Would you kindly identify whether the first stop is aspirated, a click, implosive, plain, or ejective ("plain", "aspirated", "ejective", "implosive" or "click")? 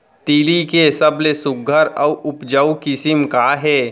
plain